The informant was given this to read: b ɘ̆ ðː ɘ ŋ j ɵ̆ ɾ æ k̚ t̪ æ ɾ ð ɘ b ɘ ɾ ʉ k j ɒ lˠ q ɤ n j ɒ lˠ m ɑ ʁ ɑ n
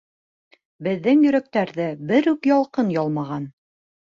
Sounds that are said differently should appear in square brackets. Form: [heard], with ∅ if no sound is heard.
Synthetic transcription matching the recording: b ɘ̆ ðː ɘ ŋ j ɵ̆ ɾ æ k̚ t̪ æ ɾ ð ɘ b ɘ ɾ ʉ k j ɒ lˠ q ɤ n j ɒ lˠ m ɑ ʁ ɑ n